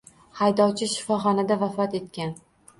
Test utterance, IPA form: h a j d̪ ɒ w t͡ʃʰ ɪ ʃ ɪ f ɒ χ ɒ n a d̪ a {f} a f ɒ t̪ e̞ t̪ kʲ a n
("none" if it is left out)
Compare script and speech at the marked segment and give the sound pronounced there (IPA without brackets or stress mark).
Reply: v